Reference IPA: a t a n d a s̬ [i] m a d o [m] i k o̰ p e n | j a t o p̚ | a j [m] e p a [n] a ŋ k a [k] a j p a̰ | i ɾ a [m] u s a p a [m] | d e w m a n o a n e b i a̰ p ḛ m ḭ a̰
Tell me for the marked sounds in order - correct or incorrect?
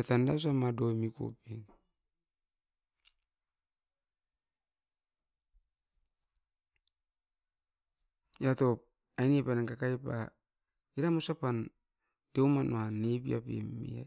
incorrect, correct, incorrect, correct, correct, correct, incorrect

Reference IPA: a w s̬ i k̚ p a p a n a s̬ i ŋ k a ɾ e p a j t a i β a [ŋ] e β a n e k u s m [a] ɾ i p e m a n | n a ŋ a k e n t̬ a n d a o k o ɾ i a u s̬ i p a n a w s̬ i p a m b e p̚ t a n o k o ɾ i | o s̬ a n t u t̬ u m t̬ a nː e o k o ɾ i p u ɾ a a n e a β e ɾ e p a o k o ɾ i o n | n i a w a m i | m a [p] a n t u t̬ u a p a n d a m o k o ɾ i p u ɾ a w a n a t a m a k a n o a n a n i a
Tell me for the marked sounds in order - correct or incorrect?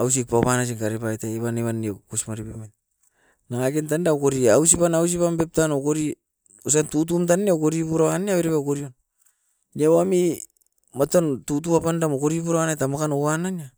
incorrect, correct, incorrect

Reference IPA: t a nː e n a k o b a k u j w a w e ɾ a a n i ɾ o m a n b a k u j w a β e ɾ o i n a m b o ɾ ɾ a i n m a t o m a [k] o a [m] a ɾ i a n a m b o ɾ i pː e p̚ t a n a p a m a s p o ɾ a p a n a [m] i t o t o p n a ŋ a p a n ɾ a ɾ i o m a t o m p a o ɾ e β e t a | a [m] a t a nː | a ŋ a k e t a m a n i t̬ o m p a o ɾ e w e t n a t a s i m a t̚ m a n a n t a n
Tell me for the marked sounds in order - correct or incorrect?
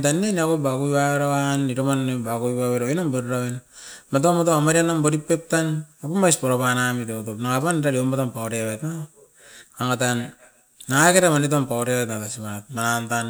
incorrect, correct, correct, incorrect

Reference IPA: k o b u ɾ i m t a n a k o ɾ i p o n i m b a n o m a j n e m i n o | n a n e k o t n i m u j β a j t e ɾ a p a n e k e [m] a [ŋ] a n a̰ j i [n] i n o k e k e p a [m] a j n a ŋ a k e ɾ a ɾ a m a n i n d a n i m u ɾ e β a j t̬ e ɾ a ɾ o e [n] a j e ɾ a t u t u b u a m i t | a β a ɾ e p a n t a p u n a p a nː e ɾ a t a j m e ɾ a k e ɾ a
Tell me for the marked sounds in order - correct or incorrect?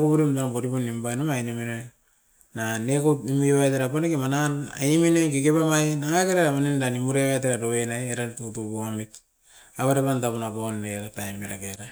correct, incorrect, incorrect, correct, correct

